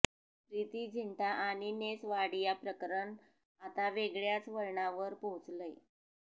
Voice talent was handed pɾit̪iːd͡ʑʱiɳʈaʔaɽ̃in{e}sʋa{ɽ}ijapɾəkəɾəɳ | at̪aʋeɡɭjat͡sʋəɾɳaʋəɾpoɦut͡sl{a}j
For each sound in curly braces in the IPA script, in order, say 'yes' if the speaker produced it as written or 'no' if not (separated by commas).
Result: yes, yes, no